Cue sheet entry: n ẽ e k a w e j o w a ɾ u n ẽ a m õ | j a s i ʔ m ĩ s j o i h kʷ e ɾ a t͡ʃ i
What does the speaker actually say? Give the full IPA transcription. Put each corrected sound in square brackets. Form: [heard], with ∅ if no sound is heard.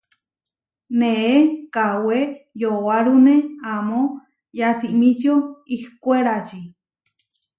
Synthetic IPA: n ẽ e k a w e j o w a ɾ u n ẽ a m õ | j a s i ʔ m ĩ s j o i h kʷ e ɾ a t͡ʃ i